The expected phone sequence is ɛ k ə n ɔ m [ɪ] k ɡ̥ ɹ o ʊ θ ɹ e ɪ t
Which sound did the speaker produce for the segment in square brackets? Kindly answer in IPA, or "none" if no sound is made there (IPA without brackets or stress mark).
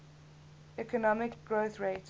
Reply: ɪ